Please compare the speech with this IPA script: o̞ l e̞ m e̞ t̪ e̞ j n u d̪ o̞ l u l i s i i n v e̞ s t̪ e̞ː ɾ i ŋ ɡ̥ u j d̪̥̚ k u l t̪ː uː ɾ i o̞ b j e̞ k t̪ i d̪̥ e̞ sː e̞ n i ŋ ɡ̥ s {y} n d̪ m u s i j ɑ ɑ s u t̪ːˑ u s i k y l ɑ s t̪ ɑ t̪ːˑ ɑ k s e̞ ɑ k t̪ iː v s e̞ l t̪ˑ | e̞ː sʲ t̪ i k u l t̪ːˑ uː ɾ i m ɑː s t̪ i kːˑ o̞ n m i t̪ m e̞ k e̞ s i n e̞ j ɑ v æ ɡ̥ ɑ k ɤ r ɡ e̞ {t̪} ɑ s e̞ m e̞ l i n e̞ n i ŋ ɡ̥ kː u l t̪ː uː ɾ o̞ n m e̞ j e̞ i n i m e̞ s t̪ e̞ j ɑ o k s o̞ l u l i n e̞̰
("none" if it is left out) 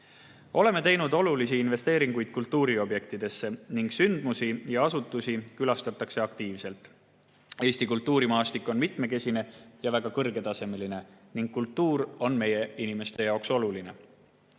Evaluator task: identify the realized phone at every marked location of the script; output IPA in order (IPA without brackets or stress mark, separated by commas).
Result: y, t̪